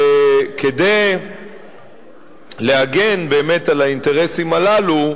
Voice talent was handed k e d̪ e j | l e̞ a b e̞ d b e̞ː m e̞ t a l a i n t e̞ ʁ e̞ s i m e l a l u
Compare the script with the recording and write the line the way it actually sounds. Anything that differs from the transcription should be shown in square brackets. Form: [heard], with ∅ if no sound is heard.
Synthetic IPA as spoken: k e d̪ e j | l e̞ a [ɡ] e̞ [n] b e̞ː m e̞ t a l a i n t e̞ ʁ e̞ s i m [a] l a l u